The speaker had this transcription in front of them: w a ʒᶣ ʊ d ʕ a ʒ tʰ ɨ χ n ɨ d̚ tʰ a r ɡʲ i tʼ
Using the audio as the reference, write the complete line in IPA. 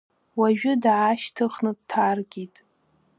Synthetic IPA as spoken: w a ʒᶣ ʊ d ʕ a ʃ tʰ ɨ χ n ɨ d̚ tʰ a r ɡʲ i tʼ